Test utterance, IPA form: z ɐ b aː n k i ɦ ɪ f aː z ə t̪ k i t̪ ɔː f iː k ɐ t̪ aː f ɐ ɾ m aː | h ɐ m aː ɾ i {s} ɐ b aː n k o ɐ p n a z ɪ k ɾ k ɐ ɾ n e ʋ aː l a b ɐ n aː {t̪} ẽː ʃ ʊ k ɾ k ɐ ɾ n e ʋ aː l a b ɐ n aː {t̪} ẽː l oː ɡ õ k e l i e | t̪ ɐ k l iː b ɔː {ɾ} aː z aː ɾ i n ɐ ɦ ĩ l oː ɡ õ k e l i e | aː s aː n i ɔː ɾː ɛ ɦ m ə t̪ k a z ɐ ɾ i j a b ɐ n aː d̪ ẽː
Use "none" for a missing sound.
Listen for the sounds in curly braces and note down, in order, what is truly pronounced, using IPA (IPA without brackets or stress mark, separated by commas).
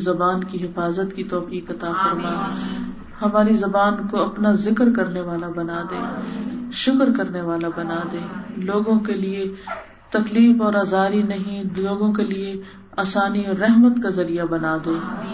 z, d̪, d̪, ɾ